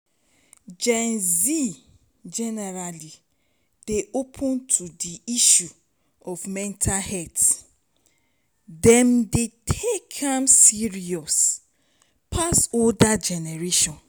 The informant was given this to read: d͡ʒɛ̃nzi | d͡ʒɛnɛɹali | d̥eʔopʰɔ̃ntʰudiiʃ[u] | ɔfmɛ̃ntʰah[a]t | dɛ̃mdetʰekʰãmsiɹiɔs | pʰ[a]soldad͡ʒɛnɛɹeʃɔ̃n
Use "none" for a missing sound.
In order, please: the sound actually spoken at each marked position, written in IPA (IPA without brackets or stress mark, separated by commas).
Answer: u, ɛ, a